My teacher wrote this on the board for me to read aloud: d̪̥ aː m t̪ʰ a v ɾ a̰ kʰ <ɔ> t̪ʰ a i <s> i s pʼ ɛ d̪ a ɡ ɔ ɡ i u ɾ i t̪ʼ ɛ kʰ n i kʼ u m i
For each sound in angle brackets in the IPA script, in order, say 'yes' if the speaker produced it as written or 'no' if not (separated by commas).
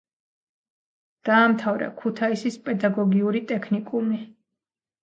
no, yes